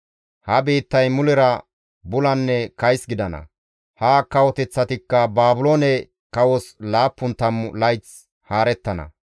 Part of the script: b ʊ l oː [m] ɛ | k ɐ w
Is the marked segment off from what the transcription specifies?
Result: yes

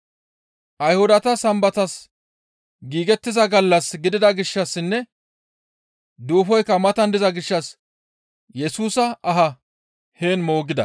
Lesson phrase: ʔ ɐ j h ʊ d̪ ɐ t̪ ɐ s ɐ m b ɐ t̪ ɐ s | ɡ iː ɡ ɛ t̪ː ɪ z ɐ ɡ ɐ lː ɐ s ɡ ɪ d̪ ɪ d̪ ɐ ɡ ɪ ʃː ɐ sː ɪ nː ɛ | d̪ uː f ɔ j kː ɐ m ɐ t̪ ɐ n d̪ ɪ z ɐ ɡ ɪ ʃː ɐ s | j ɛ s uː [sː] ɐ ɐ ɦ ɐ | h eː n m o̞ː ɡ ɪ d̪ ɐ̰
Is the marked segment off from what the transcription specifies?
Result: yes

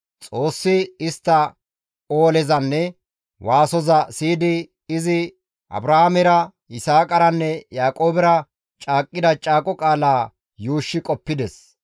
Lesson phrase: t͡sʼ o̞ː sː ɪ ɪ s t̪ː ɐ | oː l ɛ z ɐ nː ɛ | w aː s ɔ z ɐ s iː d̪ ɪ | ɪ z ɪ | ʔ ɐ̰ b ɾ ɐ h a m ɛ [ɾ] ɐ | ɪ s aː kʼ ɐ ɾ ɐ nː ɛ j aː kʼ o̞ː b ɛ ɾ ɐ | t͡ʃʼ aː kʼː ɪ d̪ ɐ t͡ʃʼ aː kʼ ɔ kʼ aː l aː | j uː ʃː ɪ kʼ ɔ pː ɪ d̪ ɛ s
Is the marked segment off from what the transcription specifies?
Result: no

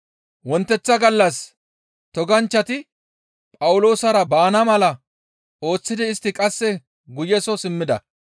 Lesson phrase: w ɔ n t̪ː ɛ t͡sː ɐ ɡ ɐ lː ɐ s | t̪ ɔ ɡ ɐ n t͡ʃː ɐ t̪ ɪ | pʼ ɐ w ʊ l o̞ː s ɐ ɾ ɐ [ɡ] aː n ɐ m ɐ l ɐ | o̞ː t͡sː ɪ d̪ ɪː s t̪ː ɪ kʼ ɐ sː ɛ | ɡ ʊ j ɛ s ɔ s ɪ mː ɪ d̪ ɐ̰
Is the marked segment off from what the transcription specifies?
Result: yes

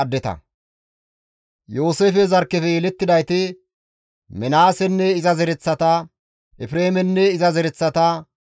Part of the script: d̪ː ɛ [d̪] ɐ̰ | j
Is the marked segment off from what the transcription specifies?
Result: yes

